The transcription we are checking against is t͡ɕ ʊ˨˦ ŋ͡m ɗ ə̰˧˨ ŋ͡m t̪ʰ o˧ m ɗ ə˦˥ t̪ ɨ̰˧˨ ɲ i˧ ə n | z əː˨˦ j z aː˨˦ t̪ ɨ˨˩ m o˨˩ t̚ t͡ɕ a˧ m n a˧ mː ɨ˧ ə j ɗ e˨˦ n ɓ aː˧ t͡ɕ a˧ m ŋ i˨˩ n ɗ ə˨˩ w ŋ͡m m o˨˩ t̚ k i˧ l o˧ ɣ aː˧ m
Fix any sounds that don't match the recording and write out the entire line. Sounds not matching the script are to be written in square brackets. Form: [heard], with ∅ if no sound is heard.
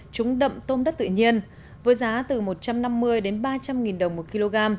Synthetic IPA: t͡ɕ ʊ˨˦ ŋ͡m ɗ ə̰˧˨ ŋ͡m [t̪] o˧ m ɗ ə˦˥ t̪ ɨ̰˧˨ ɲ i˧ ə n | [v] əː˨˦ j z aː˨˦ t̪ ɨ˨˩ m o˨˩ t̚ t͡ɕ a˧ m n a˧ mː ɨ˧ ə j ɗ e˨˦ n ɓ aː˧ t͡ɕ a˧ m ŋ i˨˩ n ɗ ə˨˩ w ŋ͡m m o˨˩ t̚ k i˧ l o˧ ɣ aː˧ m